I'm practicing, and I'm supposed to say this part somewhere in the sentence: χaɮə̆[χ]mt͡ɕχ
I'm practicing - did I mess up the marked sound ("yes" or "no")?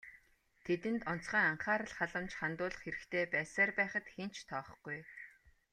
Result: yes